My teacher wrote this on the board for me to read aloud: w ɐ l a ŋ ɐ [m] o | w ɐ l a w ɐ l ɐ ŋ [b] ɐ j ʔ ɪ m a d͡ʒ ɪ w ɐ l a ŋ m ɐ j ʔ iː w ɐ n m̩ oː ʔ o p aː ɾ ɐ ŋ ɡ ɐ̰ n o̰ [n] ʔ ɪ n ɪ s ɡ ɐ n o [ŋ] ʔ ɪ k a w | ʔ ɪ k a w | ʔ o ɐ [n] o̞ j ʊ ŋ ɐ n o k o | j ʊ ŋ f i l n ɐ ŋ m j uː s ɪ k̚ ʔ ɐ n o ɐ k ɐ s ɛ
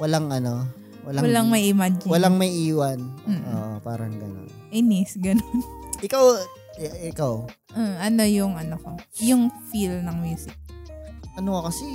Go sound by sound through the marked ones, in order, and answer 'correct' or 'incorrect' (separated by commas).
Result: incorrect, incorrect, correct, incorrect, correct